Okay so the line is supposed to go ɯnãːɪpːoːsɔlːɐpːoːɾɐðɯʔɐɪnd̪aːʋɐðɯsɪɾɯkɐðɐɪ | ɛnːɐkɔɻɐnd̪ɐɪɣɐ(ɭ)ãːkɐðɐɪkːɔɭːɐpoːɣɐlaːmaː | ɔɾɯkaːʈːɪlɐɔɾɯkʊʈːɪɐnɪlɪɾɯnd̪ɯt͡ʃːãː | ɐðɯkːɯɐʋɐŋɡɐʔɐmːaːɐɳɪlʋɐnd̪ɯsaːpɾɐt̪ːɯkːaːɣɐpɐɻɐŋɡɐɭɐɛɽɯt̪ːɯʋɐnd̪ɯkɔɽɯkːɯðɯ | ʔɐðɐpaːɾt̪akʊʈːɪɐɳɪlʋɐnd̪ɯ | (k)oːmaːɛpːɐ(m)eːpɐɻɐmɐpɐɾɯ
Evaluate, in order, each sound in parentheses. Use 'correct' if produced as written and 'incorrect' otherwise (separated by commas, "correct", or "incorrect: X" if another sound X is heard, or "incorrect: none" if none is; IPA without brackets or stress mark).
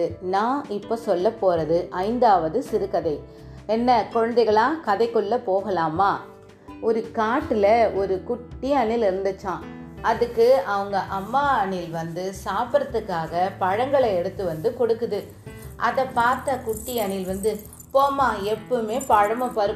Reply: correct, incorrect: p, correct